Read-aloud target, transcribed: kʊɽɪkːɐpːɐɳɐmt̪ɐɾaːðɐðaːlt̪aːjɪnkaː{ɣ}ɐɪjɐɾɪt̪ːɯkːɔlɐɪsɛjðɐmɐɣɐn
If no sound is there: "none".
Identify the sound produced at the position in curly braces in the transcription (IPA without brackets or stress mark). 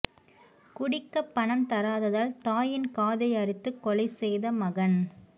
ð